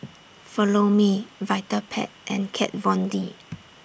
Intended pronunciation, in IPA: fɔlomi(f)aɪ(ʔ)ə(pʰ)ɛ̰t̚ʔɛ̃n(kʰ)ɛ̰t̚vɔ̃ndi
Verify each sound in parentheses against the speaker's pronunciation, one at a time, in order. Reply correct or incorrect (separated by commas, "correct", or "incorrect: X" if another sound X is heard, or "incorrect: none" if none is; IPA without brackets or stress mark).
incorrect: v, incorrect: t, correct, correct